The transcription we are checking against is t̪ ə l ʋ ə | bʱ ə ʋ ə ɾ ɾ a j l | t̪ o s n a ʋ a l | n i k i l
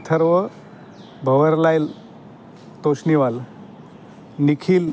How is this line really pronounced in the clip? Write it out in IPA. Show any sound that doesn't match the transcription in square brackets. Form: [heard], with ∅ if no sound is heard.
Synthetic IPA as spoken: [t̪ʰ] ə [ɾ] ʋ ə | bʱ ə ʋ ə ɾ [l] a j l | t̪ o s n [i] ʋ a l | n i [kʰ] i l